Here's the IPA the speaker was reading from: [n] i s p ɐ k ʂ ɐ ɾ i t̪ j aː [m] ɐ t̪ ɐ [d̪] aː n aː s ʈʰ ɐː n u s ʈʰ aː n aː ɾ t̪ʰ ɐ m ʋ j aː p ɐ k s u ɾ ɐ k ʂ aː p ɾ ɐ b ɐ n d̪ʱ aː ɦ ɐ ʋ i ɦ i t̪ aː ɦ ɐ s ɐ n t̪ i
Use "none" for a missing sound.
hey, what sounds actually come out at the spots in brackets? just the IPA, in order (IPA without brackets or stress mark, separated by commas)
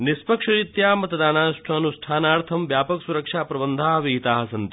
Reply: n, m, d̪